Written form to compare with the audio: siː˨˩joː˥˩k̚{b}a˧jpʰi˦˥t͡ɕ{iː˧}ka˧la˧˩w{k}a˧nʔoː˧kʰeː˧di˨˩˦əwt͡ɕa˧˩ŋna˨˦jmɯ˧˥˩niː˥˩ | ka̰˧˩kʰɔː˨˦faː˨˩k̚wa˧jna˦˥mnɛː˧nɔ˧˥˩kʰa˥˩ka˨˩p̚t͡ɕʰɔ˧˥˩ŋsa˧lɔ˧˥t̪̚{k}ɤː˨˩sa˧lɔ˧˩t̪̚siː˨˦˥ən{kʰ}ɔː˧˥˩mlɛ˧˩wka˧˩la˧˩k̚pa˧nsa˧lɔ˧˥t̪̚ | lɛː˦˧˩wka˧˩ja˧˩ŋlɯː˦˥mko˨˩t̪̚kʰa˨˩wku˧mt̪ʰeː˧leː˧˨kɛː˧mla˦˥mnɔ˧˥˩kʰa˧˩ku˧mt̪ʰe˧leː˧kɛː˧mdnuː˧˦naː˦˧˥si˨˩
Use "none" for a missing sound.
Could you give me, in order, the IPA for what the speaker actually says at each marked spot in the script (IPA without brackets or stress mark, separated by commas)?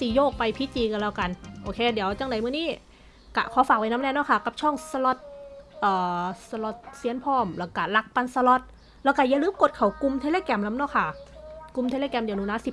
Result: p, iː˧, k, ʔ, pʰ